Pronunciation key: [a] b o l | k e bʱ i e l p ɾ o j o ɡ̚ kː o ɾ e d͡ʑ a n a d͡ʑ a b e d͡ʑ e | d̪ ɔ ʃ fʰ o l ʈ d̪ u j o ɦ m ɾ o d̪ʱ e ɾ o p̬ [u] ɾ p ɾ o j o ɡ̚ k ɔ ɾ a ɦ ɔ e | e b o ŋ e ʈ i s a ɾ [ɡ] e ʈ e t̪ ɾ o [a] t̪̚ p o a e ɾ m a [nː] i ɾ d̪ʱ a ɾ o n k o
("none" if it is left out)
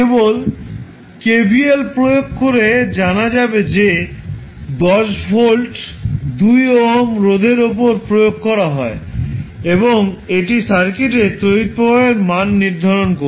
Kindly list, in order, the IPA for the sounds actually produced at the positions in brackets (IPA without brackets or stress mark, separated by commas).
e, o, k, i, nː